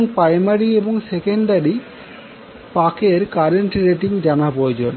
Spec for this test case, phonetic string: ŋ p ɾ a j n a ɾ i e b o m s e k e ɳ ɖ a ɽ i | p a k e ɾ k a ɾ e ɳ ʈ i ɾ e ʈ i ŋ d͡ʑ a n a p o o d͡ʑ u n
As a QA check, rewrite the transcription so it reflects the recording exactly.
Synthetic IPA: ŋ p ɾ a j m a ɾ i e b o ŋ s e k e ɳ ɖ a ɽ i | p a k e ɾ k a ɾ e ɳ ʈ i ɾ e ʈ i ŋ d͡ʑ a n a p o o d͡ʑ o n